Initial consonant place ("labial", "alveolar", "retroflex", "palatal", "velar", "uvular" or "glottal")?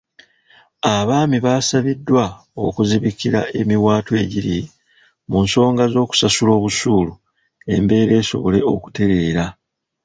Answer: labial